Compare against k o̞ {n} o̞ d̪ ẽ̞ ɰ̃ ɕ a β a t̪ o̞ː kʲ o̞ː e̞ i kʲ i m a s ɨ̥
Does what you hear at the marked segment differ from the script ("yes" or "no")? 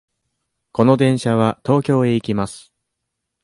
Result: no